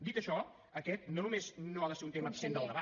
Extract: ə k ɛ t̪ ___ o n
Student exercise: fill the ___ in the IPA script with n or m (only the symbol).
n